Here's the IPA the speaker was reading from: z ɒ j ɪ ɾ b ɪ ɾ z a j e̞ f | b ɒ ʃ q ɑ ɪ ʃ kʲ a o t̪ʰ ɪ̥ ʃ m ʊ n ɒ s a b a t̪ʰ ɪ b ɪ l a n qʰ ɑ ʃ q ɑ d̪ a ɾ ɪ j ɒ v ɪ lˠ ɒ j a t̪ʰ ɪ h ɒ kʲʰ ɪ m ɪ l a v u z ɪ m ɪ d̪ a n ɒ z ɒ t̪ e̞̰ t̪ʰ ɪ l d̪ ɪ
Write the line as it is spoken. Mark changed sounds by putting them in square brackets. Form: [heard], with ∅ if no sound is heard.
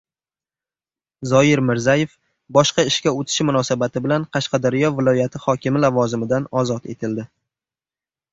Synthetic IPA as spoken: z ɒ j ɪ ɾ [m] ɪ ɾ z a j e̞ f | b ɒ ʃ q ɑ ɪ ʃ kʲ a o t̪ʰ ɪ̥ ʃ m ʊ n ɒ s a b a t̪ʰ ɪ b ɪ l a n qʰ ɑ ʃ q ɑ d̪ a ɾ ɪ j ɒ v ɪ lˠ ɒ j a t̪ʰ ɪ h ɒ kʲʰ ɪ m ɪ l a v [ɒ] z ɪ m ɪ d̪ a n ɒ z ɒ t̪ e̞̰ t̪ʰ ɪ l d̪ ɪ